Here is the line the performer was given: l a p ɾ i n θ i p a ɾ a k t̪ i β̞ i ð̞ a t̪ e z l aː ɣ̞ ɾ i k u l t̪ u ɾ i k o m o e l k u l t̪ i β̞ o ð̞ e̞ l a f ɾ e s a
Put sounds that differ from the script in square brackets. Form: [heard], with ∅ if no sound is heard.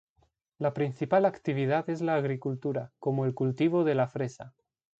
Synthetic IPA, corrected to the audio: l a p ɾ i n θ i p a [l] a k t̪ i β̞ i ð̞ a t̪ e z l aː ɣ̞ ɾ i k u l t̪ u ɾ [a] k o m o e l k u l t̪ i β̞ o ð̞ e̞ l a f ɾ e s a